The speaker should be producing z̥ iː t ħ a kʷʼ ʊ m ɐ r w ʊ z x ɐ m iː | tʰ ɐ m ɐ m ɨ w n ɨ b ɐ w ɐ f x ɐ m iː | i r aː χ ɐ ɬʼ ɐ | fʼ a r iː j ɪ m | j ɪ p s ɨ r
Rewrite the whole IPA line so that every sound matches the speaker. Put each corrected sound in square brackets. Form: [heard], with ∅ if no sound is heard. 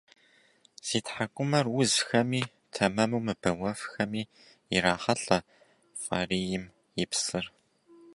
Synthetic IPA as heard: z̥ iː t ħ a kʷʼ ʊ m ɐ r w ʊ z x ɐ m iː | tʰ ɐ m ɐ m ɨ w [m] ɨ b ɐ w ɐ f x ɐ m iː | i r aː χ ɐ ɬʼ ɐ | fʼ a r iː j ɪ m | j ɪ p s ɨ r